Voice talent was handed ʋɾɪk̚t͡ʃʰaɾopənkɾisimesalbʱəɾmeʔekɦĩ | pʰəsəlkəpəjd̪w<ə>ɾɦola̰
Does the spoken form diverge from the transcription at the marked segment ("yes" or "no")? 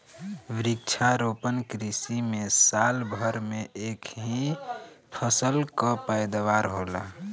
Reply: yes